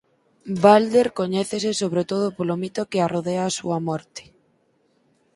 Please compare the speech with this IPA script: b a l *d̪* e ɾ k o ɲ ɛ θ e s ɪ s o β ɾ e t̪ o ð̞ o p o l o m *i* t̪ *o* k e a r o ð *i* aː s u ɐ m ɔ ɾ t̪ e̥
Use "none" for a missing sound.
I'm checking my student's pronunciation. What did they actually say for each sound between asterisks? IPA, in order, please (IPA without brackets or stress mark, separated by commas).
d̪, i, o, e